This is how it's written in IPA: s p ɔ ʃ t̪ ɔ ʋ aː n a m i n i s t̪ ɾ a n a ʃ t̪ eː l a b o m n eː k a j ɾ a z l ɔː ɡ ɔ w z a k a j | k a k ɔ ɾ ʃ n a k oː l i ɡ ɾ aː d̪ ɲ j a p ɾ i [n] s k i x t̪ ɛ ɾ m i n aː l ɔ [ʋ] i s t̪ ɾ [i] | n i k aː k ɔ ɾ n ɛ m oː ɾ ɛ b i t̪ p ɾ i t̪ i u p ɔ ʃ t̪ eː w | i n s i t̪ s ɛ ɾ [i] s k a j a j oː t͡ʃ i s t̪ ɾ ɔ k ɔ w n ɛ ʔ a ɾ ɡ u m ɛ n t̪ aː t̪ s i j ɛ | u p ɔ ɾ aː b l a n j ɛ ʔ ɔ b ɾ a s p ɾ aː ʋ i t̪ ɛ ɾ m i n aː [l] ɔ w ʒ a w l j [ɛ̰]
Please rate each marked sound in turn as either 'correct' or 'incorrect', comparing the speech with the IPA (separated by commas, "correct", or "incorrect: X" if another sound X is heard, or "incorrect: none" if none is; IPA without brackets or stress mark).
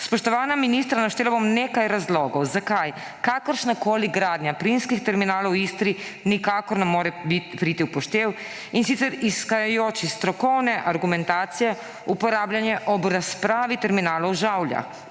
correct, incorrect: w, correct, correct, correct, incorrect: a̰